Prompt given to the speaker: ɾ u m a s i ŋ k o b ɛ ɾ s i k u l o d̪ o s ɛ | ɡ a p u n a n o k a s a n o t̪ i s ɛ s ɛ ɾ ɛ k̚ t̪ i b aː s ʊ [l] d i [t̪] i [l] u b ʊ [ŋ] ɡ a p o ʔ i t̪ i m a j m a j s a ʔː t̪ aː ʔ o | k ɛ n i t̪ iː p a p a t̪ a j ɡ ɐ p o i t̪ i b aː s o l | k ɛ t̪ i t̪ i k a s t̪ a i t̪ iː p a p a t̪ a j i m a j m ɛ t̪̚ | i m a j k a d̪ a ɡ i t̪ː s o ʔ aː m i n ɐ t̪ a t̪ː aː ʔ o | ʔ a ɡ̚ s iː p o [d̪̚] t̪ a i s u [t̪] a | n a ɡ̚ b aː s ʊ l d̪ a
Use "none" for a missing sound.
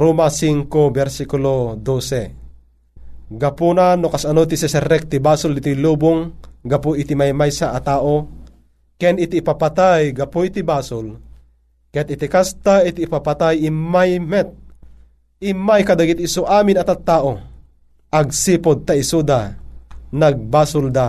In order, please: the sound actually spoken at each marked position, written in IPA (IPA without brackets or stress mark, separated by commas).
l, t̪, l, ŋ, d̪̚, d̪